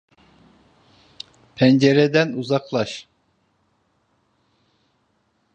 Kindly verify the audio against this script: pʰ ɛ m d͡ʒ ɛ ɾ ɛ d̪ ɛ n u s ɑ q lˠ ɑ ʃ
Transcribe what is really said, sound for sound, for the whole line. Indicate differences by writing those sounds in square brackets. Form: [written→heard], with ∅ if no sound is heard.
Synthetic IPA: pʰ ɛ [m→n] d͡ʒ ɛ ɾ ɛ d̪ ɛ n u [s→z] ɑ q lˠ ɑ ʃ